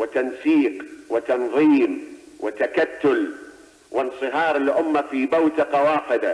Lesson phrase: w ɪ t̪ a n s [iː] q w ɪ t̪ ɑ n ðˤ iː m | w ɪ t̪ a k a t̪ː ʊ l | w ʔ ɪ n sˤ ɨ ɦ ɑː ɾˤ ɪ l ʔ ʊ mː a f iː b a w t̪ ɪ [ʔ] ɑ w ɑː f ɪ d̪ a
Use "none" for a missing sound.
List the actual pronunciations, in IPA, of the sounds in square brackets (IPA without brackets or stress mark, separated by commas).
iː, q